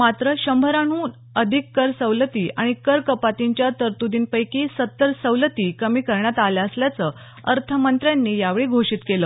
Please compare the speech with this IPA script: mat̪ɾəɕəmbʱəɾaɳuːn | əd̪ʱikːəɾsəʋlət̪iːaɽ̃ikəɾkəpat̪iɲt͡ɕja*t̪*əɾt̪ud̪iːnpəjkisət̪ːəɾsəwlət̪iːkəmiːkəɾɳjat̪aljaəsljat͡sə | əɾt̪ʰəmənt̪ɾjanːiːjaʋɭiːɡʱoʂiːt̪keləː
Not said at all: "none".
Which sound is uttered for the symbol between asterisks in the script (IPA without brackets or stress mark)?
t̪